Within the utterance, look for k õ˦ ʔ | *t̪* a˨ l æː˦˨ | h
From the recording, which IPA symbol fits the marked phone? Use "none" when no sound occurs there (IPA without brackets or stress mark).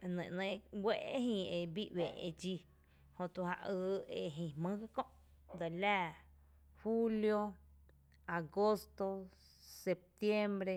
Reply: d̪